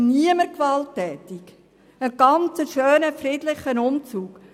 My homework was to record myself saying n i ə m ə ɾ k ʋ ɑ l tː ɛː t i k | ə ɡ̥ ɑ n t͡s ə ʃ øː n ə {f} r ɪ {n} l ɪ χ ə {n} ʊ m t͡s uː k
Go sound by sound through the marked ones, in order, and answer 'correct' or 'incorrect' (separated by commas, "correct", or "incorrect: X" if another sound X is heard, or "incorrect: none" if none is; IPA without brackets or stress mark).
correct, incorrect: d, correct